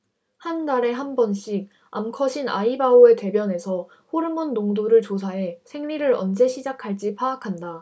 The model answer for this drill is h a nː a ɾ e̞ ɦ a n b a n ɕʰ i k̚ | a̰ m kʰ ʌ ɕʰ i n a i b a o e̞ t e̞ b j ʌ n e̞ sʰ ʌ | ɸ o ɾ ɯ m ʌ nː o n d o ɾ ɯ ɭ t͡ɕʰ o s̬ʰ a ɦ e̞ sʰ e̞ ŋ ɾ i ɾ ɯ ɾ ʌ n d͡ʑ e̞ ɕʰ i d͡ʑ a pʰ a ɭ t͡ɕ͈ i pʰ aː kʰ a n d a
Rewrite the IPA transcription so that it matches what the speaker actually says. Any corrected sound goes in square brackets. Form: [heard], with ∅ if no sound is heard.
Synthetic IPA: h a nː a ɾ e̞ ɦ a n b [ʌ] n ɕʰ i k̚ | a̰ m kʰ ʌ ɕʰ i n a i b a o e̞ t e̞ b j ʌ n e̞ sʰ ʌ | ɸ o ɾ ɯ m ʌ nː o [ŋ] d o ɾ ɯ ɭ [t͡ɕ] o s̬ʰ a ɦ e̞ sʰ e̞ ŋ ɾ i ɾ ɯ ɾ ʌ n d͡ʑ e̞ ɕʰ i d͡ʑ a [kʰ] a ɭ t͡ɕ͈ i pʰ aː kʰ a n d a